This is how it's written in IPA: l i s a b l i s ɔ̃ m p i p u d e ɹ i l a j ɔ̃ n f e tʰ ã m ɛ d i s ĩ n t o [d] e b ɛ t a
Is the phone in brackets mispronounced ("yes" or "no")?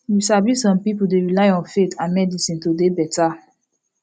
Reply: no